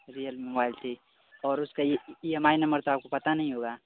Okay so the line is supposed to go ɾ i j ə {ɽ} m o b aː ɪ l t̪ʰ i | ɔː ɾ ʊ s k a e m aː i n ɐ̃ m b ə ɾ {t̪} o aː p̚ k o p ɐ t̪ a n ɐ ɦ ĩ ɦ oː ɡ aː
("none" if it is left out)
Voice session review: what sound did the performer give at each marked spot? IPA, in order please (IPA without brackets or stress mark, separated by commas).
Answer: l, t̪